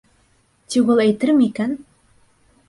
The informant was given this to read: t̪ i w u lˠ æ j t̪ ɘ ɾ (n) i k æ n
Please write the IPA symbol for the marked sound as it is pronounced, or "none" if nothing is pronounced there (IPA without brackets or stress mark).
m